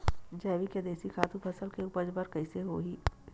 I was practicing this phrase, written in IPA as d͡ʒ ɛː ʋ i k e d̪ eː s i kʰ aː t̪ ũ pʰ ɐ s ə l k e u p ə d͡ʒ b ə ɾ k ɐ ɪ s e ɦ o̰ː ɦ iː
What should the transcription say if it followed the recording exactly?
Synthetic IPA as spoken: d͡ʒ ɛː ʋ i k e d̪ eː s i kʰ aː t̪ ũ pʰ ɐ s ə l k e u p ə d͡ʒ b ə ɾ k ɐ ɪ s e ɦ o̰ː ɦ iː